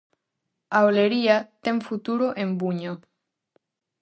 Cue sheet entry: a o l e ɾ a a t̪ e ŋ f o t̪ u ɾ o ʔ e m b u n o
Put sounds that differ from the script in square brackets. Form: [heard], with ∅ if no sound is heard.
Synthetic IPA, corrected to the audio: a o l e ɾ [i] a t̪ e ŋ f [u] t̪ u ɾ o ʔ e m b u [ɲ] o